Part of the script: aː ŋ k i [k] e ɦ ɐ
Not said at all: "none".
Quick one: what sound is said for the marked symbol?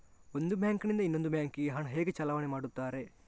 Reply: ɡ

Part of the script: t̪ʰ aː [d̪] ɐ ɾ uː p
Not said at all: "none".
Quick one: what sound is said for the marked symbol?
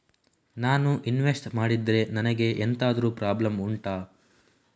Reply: d̪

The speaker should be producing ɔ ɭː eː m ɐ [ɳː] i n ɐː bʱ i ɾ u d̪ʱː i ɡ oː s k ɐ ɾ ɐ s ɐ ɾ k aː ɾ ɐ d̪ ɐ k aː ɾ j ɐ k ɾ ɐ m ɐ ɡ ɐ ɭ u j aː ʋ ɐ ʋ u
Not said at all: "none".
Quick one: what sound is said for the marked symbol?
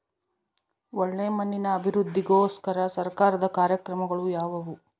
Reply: nː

